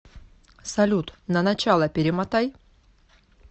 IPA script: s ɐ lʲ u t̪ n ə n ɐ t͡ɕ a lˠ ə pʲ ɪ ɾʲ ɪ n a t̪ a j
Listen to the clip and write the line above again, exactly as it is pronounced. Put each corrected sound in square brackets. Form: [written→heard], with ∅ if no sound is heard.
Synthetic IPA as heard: s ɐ lʲ u t̪ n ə n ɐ t͡ɕ a lˠ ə pʲ ɪ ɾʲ ɪ [n→m] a t̪ a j

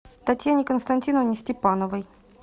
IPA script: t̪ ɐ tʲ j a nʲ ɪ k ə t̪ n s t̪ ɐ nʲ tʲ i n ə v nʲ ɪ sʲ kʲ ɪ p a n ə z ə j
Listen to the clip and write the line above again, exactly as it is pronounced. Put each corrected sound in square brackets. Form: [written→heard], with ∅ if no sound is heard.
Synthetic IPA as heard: t̪ ɐ tʲ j a nʲ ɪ k ə [t̪→∅] n s t̪ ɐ nʲ tʲ i n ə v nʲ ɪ sʲ [kʲ→tʲ] ɪ p a n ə [z→v] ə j

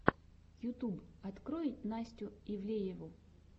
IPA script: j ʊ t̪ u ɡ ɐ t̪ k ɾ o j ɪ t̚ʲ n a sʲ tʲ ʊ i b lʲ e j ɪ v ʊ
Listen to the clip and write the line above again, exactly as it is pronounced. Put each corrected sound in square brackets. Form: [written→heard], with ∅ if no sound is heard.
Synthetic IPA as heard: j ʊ t̪ u [ɡ→b] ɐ t̪ k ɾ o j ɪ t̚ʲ n a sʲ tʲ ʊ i [b→v] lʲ e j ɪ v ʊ

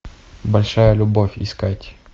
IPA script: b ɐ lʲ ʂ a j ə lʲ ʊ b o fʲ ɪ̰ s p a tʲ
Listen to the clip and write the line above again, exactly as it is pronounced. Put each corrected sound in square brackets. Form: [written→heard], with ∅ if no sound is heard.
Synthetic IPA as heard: b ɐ lʲ ʂ a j ə lʲ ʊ b o fʲ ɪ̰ s [p→k] a tʲ

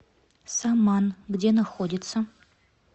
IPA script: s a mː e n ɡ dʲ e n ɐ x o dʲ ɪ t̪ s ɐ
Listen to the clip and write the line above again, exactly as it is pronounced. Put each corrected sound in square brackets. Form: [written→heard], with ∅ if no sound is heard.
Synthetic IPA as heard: s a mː [e→a] n ɡ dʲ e n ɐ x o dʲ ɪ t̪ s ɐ

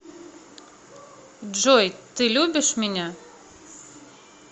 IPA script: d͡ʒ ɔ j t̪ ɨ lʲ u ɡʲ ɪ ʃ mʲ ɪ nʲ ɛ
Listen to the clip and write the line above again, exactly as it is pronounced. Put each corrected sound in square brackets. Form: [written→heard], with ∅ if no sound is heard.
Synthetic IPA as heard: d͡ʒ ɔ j t̪ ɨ lʲ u [ɡʲ→bʲ] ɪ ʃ mʲ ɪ nʲ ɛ

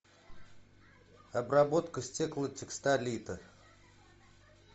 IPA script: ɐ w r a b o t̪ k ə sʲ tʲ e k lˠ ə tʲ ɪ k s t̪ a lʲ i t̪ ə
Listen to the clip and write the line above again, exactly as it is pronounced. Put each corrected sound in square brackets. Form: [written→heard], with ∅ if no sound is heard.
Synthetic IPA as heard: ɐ [w→b] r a b o t̪ k ə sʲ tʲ e k lˠ ə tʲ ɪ k s t̪ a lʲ i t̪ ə

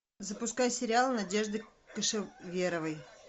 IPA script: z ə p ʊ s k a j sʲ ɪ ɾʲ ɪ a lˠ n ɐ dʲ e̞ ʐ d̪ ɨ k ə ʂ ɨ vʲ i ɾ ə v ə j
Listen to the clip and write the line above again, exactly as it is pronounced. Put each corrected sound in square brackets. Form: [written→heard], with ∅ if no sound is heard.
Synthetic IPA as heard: z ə p ʊ s k a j sʲ ɪ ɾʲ ɪ a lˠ n ɐ dʲ e̞ ʐ d̪ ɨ k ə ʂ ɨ vʲ [i→e] ɾ ə v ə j

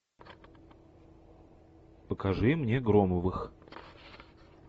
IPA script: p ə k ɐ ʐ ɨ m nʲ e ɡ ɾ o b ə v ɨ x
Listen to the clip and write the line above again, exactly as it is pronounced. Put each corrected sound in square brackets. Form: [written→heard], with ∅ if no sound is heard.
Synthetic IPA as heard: p ə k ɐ ʐ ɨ m nʲ e ɡ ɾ o [b→m] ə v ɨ x

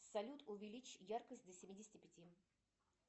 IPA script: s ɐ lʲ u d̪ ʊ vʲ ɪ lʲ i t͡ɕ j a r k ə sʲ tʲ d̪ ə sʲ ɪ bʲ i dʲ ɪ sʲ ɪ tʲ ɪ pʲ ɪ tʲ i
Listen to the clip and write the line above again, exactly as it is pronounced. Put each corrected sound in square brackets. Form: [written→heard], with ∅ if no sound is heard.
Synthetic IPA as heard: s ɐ lʲ u [d̪→t̪] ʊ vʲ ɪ lʲ i t͡ɕ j a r k ə sʲ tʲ d̪ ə sʲ ɪ [bʲ→mʲ] i dʲ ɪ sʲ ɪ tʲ ɪ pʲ ɪ tʲ i

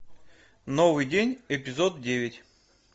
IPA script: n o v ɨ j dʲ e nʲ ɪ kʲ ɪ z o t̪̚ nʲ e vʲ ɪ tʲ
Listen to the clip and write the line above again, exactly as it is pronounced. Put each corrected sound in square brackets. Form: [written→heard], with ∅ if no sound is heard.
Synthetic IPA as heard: n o v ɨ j dʲ e nʲ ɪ [kʲ→pʲ] ɪ z o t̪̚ [nʲ→dʲ] e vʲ ɪ tʲ

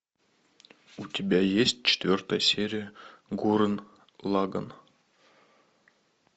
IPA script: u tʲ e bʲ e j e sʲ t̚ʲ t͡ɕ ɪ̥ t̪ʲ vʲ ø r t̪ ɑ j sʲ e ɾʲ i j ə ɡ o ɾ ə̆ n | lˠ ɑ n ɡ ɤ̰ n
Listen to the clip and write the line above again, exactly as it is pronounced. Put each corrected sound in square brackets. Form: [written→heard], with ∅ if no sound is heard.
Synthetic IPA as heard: u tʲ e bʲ [e→æ] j e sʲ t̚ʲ t͡ɕ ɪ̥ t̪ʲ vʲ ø r t̪ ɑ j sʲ e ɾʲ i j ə ɡ [o→u] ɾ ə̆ n | lˠ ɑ [n→∅] ɡ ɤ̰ n

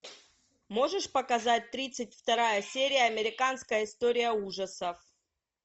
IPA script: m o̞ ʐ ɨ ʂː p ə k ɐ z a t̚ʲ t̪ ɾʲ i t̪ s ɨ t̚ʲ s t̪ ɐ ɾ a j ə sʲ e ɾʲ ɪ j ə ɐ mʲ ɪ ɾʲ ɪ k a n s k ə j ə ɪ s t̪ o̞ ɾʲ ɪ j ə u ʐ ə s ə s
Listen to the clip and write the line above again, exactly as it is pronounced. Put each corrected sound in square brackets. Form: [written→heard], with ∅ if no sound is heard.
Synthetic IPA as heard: m o̞ ʐ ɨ [ʂː→ʂ] p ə k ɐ z a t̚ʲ t̪ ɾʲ i t̪ s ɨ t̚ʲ [s→f] t̪ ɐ ɾ a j ə sʲ e ɾʲ ɪ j ə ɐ mʲ ɪ ɾʲ ɪ k a n s k ə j ə ɪ s t̪ o̞ ɾʲ ɪ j ə u ʐ ə s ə [s→f]

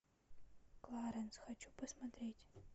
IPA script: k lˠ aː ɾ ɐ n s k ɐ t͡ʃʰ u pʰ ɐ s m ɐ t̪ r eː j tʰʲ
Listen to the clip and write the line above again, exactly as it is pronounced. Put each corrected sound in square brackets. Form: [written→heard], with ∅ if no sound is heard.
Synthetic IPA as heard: k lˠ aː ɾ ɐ n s [k→x] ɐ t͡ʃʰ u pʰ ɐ s m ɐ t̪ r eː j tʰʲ

